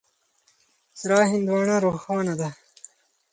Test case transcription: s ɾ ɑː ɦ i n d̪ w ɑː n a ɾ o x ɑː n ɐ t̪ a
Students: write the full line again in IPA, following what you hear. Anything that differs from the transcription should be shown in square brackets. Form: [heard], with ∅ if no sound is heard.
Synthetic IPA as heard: s ɾ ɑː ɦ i n d̪ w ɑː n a ɾ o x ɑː n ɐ [d̪] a